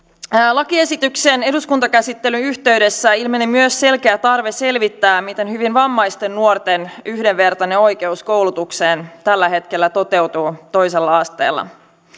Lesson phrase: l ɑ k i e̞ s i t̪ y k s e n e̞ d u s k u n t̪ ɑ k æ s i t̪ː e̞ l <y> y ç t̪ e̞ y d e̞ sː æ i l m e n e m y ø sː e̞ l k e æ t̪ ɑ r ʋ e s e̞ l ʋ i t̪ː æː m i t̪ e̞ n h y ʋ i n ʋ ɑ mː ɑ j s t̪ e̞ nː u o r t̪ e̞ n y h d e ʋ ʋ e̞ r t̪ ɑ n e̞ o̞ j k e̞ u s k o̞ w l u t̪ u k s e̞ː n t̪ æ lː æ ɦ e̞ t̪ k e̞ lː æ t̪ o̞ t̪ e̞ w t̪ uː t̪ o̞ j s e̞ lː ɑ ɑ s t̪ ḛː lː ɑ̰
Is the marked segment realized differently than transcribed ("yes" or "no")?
no